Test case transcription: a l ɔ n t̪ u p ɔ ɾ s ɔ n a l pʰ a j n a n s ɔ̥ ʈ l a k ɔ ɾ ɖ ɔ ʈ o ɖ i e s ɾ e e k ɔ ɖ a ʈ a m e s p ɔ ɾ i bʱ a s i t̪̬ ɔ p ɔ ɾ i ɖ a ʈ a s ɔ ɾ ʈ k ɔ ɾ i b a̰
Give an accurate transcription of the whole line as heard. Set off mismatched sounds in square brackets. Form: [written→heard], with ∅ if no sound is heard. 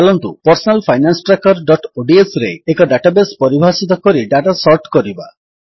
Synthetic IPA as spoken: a l ɔ n t̪ u p ɔ ɾ s ɔ n a l pʰ a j n a n s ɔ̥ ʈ [l→ɾ] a k ɔ ɾ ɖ ɔ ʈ o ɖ i e s ɾ e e k ɔ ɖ a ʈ a [m→b] e s p ɔ ɾ i bʱ a s i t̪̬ ɔ [p→k] ɔ ɾ i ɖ a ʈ a s ɔ ɾ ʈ k ɔ ɾ i b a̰